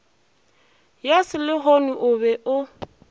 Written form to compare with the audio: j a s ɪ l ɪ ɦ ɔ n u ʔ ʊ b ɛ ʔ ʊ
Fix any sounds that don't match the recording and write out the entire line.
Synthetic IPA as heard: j a s ɪ l ɪ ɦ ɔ n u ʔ ʊ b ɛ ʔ ʊ